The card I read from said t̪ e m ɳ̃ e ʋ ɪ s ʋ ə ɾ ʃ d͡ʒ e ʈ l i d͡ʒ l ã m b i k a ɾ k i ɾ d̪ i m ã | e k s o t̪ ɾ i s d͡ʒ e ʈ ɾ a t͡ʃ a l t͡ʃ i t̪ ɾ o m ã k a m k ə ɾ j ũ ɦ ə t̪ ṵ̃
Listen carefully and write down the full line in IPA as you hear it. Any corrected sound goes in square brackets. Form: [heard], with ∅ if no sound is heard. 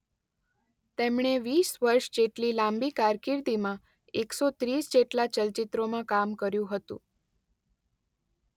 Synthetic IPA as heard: t̪ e m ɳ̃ e ʋ [i] s ʋ ə ɾ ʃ d͡ʒ e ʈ l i [∅] l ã m b i k a ɾ k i ɾ d̪ i m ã | e k s o t̪ ɾ i s d͡ʒ e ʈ [l] a t͡ʃ [ə] l t͡ʃ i t̪ ɾ o m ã k a m k ə ɾ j ũ ɦ ə t̪ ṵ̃

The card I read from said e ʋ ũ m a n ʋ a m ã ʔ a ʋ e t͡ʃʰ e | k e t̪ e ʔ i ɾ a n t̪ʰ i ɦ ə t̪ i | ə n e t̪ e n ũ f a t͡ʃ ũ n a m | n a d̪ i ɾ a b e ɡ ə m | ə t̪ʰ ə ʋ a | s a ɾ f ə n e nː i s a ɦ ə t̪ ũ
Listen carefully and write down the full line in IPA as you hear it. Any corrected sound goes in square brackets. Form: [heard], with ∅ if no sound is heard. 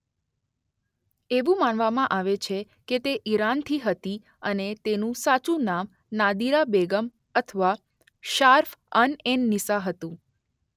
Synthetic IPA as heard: e ʋ ũ m a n ʋ a m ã ʔ a ʋ e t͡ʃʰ e | k e t̪ e ʔ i ɾ a n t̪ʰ i ɦ ə t̪ i | ə n e t̪ e n ũ [s] a t͡ʃ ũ n a m | n a d̪ i ɾ a b e ɡ ə m | ə t̪ʰ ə ʋ a | [ʃ] a ɾ f ə n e nː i s a ɦ ə t̪ ũ

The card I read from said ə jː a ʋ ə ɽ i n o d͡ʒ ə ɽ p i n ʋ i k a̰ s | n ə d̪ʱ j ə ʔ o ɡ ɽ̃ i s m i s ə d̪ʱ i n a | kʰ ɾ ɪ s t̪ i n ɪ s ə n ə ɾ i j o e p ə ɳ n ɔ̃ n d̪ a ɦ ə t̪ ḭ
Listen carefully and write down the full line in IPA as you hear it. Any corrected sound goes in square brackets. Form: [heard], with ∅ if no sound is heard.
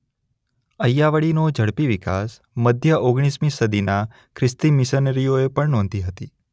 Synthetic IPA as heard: ə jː a ʋ ə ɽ i n o d͡ʒ ə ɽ p i [∅] ʋ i k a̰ s | [m] ə d̪ʱ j ə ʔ o ɡ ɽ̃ i s m i s ə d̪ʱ i n a | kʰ ɾ ɪ s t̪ i [m] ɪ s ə n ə ɾ i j o e p ə ɳ n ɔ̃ n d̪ [i] ɦ ə t̪ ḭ

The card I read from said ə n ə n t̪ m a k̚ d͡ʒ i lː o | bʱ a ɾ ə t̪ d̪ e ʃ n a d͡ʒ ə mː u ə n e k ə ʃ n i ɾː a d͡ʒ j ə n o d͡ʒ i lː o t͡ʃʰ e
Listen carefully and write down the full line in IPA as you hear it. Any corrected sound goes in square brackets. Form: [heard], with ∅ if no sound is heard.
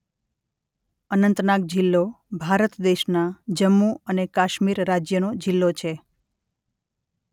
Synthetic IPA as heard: ə n ə n t̪ [n] a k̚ d͡ʒ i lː o | bʱ a ɾ ə t̪ d̪ e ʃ n a d͡ʒ ə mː u ə n e k [a] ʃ [m] i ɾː a d͡ʒ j ə n o d͡ʒ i lː o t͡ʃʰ e

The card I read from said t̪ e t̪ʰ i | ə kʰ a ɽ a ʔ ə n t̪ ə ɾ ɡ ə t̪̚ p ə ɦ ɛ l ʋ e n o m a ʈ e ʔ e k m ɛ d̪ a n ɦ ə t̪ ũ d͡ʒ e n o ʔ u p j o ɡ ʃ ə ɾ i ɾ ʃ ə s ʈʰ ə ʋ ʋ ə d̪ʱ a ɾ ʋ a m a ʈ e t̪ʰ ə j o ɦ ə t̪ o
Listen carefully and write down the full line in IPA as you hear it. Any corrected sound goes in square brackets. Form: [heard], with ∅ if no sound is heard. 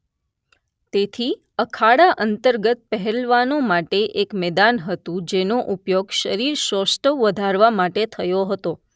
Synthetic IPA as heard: t̪ e t̪ʰ i | ə kʰ a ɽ a ʔ ə n t̪ ə ɾ ɡ ə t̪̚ p ə ɦ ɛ l ʋ [a] n o m a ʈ e ʔ e k m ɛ d̪ a n ɦ ə t̪ ũ d͡ʒ e n o ʔ u p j o ɡ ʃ ə ɾ i ɾ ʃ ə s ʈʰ ə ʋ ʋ ə d̪ʱ a ɾ ʋ a m a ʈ e t̪ʰ ə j o ɦ ə t̪ o

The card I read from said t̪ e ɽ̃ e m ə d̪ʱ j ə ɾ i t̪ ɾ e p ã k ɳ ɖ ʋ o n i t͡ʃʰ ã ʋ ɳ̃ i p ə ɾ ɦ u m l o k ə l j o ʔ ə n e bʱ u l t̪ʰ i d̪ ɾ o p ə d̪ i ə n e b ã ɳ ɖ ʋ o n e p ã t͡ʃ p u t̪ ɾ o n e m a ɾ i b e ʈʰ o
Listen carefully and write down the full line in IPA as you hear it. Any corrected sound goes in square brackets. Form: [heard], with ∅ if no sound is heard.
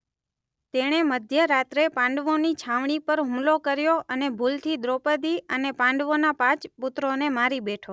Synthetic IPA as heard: t̪ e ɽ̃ e m ə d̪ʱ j ə ɾ [a] t̪ ɾ e p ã [∅] ɳ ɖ ʋ o n i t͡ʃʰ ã ʋ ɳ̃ i p ə ɾ ɦ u m l o k ə [ɾ] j o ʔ ə n e bʱ u l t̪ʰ i d̪ ɾ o p ə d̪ i ə n e [p] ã ɳ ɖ ʋ o n [a] p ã t͡ʃ p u t̪ ɾ o n e m a ɾ i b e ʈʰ o

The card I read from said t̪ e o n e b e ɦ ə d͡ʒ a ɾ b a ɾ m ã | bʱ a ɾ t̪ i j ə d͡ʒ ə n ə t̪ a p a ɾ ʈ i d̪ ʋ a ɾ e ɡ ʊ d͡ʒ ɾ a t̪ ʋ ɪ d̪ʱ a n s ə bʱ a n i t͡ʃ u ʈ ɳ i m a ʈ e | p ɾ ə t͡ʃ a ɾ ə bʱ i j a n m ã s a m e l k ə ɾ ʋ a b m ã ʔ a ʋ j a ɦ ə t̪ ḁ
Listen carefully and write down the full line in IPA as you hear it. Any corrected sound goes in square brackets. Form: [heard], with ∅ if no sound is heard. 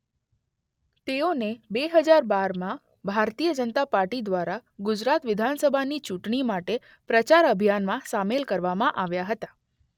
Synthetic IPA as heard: t̪ e o n e b e ɦ ə d͡ʒ a ɾ b a ɾ m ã | bʱ a ɾ t̪ i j ə d͡ʒ ə n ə t̪ a p a ɾ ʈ i d̪ ʋ a ɾ [a] ɡ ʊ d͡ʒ ɾ a t̪ ʋ ɪ d̪ʱ a n s ə bʱ a n i t͡ʃ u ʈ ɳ i m a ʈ e | p ɾ ə t͡ʃ a ɾ ə bʱ i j a n m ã s a m e l k ə ɾ ʋ a [∅] m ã ʔ a ʋ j a ɦ ə t̪ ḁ

